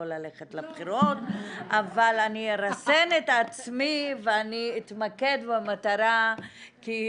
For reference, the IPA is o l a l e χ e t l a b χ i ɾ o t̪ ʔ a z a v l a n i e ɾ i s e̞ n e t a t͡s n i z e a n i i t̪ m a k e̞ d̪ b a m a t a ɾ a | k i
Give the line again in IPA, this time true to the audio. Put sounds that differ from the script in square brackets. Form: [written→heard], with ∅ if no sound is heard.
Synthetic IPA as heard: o l a l e χ e t l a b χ i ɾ o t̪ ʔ a [z→v] a [v→∅] l a n i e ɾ [i→a] s e̞ n e t a t͡s [n→m] i [z→v] e a n i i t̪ m a k e̞ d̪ b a m a t a ɾ a | k i